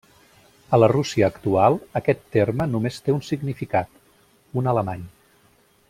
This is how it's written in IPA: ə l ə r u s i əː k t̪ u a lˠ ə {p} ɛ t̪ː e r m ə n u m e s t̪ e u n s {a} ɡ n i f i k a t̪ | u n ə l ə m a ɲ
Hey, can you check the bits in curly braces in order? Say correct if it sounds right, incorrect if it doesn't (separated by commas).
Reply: incorrect, incorrect